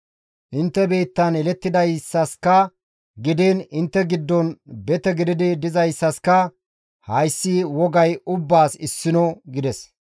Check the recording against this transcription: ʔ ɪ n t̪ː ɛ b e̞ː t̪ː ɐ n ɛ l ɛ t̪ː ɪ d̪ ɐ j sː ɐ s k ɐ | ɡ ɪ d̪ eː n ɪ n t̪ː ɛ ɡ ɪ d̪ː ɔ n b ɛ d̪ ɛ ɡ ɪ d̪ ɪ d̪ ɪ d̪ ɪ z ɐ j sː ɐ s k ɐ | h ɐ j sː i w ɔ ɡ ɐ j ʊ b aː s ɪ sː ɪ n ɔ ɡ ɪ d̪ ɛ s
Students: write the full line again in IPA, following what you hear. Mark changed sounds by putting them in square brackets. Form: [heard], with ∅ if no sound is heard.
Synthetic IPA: ʔ ɪ n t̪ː ɛ b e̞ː t̪ː ɐ n ɛ l ɛ t̪ː ɪ d̪ ɐ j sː ɐ s k ɐ | ɡ ɪ d̪ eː n ɪ n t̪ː ɛ ɡ ɪ d̪ː ɔ n b ɛ [t̪] ɛ ɡ ɪ d̪ ɪ d̪ ɪ d̪ ɪ z ɐ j sː ɐ s k ɐ | h ɐ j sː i w ɔ ɡ ɐ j ʊ [bː] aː s ɪ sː ɪ n ɔ ɡ ɪ d̪ ɛ s